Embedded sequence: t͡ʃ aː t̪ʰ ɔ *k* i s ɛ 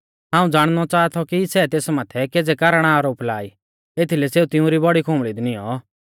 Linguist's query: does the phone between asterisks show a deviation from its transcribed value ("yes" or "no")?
no